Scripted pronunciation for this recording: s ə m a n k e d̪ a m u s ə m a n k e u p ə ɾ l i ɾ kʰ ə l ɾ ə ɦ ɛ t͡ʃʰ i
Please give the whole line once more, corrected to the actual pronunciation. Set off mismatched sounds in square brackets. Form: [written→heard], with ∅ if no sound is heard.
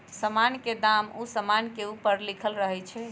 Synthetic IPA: s ə m a n k e d̪ a m u s ə m a n k e u p ə ɾ l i [ɾ→∅] kʰ ə l ɾ ə ɦ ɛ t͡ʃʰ [i→ɛ]